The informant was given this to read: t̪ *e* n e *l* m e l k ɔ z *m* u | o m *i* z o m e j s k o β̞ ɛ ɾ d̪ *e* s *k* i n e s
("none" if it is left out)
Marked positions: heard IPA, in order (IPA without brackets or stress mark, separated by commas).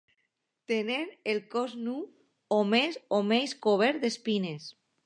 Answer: e, none, n, e, e, p